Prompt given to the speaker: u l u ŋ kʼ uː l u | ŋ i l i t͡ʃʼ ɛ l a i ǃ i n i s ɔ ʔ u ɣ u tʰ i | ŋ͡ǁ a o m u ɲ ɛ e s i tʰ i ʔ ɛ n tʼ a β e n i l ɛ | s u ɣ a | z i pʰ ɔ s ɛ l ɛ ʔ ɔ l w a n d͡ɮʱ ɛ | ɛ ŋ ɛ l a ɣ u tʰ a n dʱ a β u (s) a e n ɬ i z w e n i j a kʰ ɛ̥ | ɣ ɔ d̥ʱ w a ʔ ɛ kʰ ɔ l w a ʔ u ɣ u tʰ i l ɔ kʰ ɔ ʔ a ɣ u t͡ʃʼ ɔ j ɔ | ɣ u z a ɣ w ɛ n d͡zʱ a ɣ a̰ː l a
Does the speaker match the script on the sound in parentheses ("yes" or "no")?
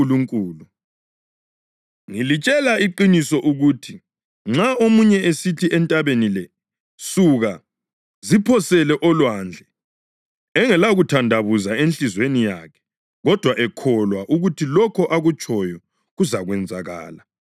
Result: no